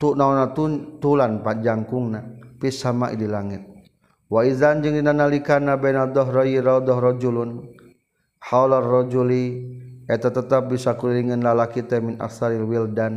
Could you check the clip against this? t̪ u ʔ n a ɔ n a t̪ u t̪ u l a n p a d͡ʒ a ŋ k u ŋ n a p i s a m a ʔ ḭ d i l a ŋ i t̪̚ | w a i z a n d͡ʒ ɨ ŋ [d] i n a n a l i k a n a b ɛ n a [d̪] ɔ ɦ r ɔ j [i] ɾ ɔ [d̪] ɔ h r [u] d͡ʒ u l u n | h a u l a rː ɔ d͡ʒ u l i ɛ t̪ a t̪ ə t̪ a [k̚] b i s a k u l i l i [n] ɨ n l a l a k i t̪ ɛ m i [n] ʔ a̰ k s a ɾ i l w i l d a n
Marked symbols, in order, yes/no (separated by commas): yes, yes, yes, yes, no, no, no, yes